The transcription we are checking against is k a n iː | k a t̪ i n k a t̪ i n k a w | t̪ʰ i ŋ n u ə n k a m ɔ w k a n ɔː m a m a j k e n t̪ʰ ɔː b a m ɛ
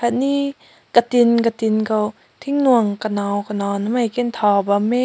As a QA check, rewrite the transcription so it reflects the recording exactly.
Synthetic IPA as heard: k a n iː | k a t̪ i n k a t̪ i n k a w | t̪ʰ i ŋ n u ə ŋ k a n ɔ w k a n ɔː n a m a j k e n t̪ʰ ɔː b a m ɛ